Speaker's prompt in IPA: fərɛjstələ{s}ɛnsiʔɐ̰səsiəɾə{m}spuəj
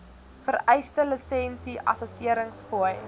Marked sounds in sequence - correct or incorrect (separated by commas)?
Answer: correct, incorrect